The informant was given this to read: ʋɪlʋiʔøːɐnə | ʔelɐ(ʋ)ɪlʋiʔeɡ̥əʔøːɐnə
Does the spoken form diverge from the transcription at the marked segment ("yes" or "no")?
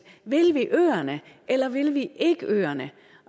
no